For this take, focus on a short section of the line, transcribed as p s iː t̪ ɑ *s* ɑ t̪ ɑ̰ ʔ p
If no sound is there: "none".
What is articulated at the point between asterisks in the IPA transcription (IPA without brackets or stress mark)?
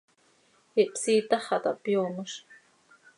χ